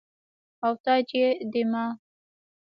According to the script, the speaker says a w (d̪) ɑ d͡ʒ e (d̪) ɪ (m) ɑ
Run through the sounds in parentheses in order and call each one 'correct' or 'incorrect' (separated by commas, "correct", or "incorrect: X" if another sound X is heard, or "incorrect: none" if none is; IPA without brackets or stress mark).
incorrect: t̪, correct, correct